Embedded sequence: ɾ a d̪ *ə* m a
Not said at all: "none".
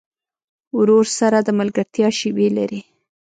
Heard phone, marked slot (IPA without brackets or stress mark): ə